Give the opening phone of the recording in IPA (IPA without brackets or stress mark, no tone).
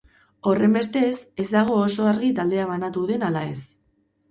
o̞